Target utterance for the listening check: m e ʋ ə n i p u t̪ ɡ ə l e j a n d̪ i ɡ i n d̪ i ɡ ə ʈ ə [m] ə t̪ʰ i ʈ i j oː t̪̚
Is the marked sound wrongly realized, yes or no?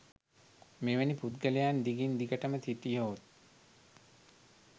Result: no